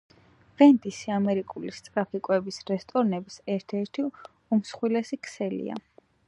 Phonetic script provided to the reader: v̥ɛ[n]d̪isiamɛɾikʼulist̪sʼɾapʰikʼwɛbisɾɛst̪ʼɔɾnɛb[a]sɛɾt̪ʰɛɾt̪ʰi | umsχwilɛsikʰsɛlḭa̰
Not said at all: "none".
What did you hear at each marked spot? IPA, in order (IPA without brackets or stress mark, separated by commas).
n, i